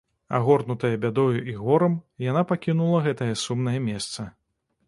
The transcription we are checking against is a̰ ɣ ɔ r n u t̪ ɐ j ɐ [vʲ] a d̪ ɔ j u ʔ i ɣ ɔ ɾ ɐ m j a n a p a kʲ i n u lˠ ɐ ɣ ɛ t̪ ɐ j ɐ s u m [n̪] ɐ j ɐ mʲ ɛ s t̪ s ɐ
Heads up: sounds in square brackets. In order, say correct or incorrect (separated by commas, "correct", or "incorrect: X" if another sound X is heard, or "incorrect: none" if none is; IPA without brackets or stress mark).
incorrect: bʲ, correct